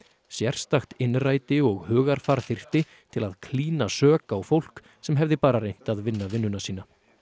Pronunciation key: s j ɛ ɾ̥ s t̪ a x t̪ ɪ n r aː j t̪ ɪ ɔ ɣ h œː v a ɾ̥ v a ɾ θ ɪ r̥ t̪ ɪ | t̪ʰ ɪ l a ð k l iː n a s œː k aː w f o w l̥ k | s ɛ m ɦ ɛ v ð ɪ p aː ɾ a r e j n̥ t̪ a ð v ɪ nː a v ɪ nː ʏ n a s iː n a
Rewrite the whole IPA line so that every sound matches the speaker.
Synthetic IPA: s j ɛ r̥ s t̪ a x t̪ ɪ n r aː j t̪ ɪ ɔ ɣ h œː ɣ a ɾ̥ f a ɾ θ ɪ r̥ t̪ ɪ | t̪ʰ ɪ l a ð kʰ l iː n a s œː k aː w f o w l̥ k | s ɛ m ɦ ɛ v ð ɪ p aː ɾ a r e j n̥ t̪ a ð v ɪ nː a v ɪ nː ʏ n a s iː n a